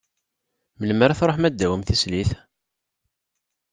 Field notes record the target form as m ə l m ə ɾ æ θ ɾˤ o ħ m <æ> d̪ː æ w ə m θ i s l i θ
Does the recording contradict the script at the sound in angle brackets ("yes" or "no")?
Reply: no